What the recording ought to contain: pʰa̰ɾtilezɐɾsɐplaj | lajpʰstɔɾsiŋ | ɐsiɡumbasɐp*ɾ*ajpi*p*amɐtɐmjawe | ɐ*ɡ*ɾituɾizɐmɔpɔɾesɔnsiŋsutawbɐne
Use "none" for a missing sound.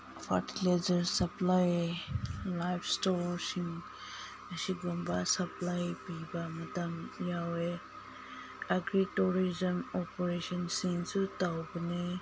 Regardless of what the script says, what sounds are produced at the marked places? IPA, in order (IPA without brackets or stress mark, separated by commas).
l, b, ɡ